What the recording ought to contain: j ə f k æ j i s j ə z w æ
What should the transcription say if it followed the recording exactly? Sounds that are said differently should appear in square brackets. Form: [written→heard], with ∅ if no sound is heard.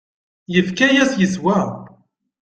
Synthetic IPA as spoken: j ə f k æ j [i→æ] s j ə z w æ